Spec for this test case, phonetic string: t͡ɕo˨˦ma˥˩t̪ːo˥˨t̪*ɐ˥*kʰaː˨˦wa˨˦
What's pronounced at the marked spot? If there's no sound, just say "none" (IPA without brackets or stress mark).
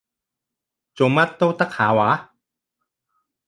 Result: a˥